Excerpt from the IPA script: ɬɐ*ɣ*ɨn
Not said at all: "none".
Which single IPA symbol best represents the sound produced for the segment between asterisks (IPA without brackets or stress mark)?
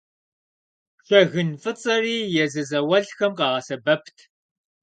ɣ